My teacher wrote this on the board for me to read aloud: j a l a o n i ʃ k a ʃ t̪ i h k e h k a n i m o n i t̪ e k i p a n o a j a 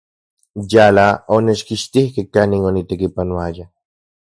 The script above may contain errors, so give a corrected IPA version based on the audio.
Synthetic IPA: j a l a o n e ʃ k i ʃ t̪ i h k e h k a n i ŋ o n i t̪ e k i p a n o a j a